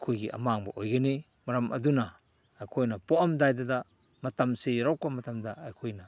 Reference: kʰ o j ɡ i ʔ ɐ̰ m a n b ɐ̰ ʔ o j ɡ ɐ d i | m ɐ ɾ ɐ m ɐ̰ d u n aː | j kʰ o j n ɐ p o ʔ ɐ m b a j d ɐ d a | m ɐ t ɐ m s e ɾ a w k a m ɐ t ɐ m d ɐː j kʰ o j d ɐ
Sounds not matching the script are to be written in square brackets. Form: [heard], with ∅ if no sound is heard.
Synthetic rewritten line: kʰ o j ɡ i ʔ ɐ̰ m a [ŋ] b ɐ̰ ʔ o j ɡ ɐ [n] i | m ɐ ɾ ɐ m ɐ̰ d u n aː | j kʰ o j n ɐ p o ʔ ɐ m [d] a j d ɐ d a | m ɐ t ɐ m s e ɾ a w k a m ɐ t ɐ m d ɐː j kʰ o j [n] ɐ